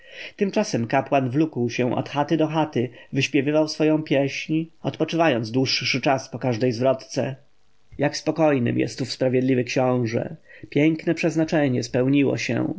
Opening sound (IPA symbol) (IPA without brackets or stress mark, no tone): t̪